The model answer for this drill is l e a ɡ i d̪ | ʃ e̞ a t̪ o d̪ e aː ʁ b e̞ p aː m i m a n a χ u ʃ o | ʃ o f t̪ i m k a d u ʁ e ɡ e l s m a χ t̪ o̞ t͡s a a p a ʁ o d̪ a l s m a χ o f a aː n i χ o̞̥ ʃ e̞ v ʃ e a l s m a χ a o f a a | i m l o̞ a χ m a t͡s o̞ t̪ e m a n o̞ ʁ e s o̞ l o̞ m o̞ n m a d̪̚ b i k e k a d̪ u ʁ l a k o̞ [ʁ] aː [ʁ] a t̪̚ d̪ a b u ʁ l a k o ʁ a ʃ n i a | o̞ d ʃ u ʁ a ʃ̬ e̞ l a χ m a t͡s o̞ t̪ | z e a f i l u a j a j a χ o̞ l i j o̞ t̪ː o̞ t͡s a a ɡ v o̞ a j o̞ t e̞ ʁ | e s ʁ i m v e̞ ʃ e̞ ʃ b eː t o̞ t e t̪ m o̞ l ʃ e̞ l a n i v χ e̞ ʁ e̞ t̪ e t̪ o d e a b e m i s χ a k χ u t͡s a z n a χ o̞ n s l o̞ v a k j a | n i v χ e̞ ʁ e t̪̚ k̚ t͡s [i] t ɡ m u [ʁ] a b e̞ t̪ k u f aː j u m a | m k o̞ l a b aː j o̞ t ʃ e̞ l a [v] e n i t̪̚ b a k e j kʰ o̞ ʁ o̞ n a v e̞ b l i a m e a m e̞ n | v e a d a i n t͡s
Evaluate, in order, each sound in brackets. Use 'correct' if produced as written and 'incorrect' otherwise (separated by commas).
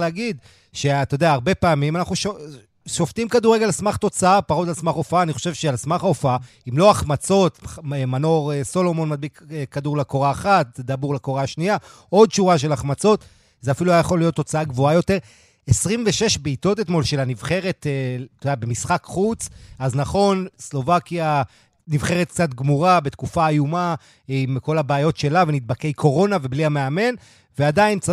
correct, incorrect, incorrect, correct, correct